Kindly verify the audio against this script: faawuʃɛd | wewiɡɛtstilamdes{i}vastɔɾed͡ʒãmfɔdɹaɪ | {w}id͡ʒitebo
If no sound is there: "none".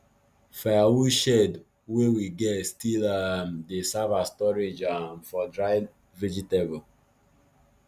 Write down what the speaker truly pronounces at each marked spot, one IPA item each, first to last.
a, v

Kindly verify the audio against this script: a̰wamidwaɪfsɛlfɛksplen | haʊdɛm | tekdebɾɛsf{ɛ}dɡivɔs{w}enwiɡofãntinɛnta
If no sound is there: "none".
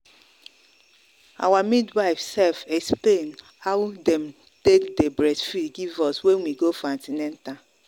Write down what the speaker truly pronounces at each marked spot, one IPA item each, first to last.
i, w

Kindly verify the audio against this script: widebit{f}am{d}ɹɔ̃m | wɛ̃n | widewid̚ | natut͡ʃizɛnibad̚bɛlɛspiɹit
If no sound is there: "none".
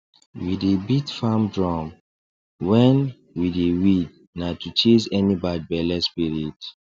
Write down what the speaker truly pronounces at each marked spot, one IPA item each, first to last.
f, d

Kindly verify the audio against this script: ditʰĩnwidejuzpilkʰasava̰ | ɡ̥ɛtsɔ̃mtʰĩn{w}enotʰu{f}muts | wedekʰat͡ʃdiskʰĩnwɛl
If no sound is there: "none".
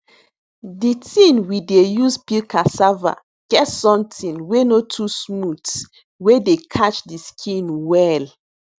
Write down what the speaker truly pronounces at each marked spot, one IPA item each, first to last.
w, s

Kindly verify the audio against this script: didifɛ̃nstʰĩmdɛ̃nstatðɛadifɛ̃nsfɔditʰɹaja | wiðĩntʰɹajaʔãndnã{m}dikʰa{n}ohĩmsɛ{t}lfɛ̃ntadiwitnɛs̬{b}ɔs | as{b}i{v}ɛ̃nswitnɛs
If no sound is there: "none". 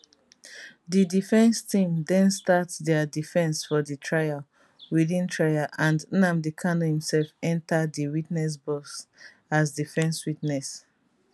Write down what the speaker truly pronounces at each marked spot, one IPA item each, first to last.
m, n, none, b, d, f

